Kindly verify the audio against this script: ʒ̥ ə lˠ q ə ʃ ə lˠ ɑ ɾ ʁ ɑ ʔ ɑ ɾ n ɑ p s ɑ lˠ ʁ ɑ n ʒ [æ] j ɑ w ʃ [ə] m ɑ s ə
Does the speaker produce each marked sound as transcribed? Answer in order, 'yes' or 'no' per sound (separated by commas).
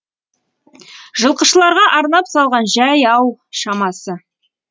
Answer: yes, no